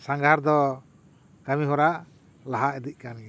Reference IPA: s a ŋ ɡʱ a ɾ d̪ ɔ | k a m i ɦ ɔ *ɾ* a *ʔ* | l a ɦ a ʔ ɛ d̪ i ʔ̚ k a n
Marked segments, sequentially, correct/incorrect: correct, correct

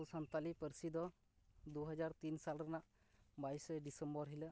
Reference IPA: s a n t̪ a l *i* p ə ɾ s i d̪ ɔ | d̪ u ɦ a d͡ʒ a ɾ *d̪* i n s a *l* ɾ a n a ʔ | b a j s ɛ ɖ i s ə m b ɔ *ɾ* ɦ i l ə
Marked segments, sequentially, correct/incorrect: correct, incorrect, correct, correct

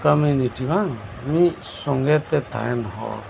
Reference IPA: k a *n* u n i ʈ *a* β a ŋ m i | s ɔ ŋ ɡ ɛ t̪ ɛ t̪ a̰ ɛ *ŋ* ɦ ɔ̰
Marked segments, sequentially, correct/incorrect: incorrect, incorrect, incorrect

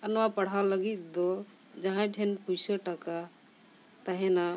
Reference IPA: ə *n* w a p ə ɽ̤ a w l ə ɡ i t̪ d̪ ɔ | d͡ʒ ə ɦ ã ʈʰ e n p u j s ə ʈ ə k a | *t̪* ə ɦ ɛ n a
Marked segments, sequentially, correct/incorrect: correct, correct

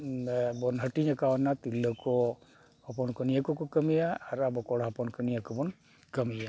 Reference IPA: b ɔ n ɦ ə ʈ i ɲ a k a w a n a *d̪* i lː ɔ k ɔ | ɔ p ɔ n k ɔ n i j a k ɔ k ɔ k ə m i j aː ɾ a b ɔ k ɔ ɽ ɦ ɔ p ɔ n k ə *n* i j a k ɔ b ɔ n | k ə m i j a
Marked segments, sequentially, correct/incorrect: incorrect, correct

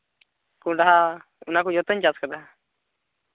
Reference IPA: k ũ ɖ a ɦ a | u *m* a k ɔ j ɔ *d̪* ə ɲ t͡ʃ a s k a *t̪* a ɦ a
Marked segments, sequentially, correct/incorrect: incorrect, incorrect, incorrect

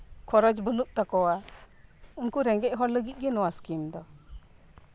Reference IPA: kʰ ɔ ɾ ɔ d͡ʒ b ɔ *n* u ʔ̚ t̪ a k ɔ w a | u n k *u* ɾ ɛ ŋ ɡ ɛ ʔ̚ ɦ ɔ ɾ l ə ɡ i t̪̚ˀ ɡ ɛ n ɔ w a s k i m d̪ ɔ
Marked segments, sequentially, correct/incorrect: correct, correct

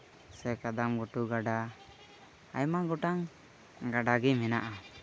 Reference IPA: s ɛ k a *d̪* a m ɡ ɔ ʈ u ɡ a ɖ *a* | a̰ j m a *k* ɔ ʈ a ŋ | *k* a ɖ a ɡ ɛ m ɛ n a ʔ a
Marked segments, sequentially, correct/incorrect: correct, correct, incorrect, incorrect

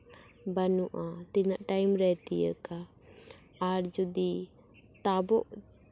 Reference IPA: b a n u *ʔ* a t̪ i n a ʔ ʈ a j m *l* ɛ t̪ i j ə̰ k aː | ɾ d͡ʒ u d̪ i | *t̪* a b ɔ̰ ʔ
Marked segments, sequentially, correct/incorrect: correct, incorrect, correct

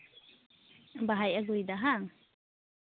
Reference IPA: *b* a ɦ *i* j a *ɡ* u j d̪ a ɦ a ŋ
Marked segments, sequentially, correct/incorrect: correct, incorrect, correct

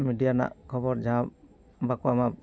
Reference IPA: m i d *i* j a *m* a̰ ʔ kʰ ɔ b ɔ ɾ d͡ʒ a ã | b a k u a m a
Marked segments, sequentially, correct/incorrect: correct, incorrect

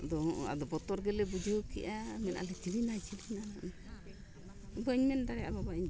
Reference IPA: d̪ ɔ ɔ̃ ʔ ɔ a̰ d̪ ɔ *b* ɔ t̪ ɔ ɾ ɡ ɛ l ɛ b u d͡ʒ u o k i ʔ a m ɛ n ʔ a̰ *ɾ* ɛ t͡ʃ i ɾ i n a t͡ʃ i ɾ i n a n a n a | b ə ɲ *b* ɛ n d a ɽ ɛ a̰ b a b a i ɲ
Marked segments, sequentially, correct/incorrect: correct, incorrect, incorrect

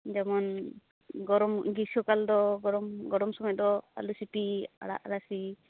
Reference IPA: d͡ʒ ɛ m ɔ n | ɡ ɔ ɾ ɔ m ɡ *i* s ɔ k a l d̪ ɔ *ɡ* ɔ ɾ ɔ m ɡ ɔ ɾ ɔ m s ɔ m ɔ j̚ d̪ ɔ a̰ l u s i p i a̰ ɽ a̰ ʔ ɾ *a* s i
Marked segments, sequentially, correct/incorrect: correct, correct, correct

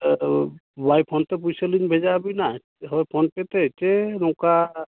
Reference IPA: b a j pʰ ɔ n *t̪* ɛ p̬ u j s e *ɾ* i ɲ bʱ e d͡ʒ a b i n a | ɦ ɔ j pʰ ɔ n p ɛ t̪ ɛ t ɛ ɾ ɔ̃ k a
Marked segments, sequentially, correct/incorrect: correct, incorrect

